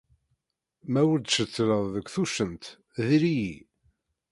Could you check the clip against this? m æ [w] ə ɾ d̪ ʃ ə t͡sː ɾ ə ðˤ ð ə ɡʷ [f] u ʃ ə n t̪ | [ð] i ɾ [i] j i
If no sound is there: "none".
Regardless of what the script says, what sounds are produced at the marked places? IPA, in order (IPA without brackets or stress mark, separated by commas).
w, θ, ð, i